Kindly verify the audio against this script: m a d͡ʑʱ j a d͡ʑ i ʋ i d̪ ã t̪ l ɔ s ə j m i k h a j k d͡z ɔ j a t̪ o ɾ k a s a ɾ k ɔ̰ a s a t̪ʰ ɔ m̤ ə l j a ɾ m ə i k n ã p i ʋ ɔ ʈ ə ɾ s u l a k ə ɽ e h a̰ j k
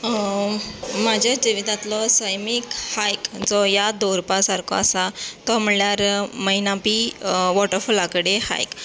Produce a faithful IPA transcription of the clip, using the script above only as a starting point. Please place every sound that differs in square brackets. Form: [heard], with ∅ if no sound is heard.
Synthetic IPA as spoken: m a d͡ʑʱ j a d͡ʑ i ʋ i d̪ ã t̪ l ɔ s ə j m i k h a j k d͡z ɔ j a [d̪] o ɾ [p] a s a ɾ k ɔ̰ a s a [t̪] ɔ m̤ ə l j a ɾ m ə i [∅] n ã p i ʋ ɔ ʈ ə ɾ [f] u l a k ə ɽ e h a̰ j k